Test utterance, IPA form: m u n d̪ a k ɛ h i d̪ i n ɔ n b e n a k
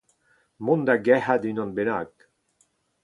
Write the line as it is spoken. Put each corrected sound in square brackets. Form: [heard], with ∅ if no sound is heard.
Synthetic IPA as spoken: m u n d̪ a [ɡ] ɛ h [a] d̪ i n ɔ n b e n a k